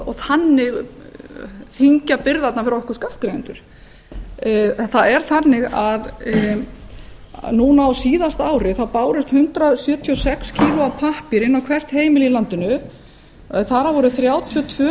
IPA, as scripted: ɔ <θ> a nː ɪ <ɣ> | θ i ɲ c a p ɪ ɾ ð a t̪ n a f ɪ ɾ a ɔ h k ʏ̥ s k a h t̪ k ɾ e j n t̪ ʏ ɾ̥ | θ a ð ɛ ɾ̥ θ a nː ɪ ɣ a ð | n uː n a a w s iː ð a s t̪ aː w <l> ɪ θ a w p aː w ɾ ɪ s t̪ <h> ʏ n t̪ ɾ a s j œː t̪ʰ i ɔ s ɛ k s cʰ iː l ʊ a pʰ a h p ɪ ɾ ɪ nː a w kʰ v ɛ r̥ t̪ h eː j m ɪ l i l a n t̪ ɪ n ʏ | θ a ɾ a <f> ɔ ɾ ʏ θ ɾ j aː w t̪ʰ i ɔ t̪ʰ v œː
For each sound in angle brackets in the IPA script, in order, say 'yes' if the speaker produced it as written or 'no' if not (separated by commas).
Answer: yes, yes, no, yes, no